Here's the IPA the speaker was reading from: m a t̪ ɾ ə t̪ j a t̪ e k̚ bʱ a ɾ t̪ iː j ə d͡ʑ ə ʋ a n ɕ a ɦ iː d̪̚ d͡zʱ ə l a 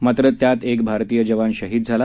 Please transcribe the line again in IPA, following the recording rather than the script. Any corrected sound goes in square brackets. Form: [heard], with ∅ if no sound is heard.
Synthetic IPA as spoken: m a t̪ ɾ ə t̪ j a t̪ e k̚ bʱ a ɾ t̪ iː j ə d͡ʑ ə ʋ a n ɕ [ə] ɦ iː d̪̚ d͡zʱ [a] l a